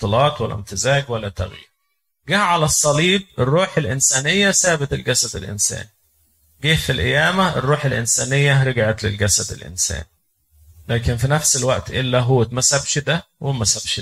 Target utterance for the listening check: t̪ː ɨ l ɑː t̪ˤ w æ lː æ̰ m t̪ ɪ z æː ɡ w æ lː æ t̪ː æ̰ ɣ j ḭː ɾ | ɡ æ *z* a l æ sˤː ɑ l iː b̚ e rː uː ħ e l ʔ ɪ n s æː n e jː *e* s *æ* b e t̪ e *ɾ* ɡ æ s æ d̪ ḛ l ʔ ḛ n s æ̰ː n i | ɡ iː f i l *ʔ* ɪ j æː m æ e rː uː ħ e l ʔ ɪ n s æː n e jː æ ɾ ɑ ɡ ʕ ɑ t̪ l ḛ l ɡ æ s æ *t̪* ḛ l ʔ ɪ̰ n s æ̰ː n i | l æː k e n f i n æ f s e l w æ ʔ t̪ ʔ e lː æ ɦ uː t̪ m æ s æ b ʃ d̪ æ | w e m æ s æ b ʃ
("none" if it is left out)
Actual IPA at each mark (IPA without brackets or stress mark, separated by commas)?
ʕ, æ, æː, l, ʔ, d̪